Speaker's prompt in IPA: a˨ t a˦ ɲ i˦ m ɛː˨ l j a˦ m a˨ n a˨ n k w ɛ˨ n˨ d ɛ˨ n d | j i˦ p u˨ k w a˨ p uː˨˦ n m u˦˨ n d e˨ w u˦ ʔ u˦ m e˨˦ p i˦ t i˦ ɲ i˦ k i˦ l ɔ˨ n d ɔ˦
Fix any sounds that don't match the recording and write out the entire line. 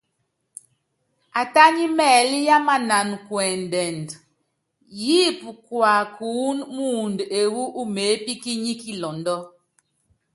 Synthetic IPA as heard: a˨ t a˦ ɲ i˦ m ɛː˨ l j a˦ m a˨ n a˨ n k w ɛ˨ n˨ d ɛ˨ n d | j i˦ p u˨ k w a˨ k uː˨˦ n m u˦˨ n d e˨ w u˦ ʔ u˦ m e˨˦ p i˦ k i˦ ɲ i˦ k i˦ l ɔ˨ n d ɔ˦